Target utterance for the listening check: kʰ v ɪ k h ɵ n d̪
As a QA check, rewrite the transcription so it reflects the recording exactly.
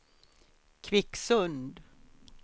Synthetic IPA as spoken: kʰ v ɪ k s ɵ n d̪

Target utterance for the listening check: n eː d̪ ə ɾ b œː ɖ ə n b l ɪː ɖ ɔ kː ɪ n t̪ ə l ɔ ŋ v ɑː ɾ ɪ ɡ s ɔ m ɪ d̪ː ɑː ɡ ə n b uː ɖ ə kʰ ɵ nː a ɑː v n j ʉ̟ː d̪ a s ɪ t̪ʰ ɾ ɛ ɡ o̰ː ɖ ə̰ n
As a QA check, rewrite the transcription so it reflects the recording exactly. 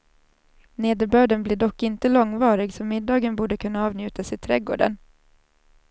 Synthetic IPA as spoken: n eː d̪ ə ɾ b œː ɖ ə n b l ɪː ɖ ɔ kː ɪ n t̪ ə l ɔ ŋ v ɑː ɾ ɪ ɡ s ɔ m ɪ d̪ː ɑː ɡ ə n b uː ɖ ə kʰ ɵ nː a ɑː v n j ʉ̟ː t̪ a s ɪ t̪ʰ ɾ ɛ ɡ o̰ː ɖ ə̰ n

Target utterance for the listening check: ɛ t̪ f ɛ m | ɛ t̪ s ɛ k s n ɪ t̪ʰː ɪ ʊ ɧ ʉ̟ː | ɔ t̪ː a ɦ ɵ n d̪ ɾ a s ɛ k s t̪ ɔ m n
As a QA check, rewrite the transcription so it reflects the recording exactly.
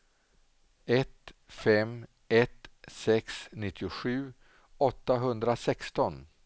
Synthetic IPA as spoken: ɛ t̪ f ɛ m | ɛ t̪ s ɛ k s n ɪ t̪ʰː ɪ ʊ ɧ ʉ̟ː | ɔ t̪ː a ɦ ɵ n d̪ ɾ a s ɛ k s t̪ ɔ n

